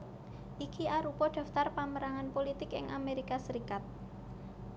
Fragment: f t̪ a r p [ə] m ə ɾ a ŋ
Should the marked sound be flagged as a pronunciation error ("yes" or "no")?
yes